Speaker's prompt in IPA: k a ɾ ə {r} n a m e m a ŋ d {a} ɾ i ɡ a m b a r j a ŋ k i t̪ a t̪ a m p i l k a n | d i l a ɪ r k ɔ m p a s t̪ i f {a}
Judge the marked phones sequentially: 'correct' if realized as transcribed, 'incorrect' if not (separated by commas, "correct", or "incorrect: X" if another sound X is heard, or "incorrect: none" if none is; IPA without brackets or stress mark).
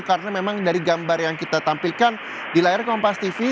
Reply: incorrect: none, correct, incorrect: i